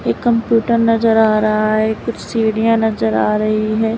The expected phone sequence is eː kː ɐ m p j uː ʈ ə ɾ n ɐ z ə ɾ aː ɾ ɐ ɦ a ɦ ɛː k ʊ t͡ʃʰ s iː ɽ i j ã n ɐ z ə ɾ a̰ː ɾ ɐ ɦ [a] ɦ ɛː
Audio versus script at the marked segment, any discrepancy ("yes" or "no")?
yes